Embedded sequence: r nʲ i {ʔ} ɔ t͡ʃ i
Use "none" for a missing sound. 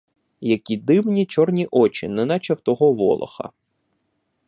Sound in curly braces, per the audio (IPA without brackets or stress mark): ʔ